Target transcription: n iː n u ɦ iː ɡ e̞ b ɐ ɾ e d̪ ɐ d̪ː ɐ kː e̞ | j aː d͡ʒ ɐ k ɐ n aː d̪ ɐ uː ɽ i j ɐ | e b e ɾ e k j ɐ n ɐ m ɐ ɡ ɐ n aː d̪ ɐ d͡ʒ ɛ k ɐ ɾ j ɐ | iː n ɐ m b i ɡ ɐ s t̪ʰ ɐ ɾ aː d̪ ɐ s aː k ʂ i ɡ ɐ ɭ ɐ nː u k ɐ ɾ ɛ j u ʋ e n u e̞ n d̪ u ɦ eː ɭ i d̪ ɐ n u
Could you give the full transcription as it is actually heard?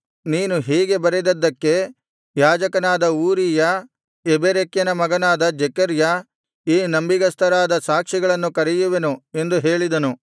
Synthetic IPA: n iː n u ɦ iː ɡ e̞ b ɐ ɾ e d̪ ɐ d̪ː ɐ kː e̞ | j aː d͡ʒ ɐ k ɐ n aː d̪ ɐ uː ɾ i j ɐ | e b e ɾ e k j ɐ n ɐ m ɐ ɡ ɐ n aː d̪ ɐ d͡ʒ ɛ k ɐ ɾ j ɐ | iː n ɐ m b i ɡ ɐ s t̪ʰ ɐ ɾ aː d̪ ɐ s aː k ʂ i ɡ ɐ ɭ ɐ nː u k ɐ ɾ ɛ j u ʋ e n u e̞ n d̪ u ɦ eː ɭ i d̪ ɐ n u